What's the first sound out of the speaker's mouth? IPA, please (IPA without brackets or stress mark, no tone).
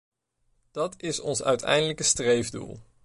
d̥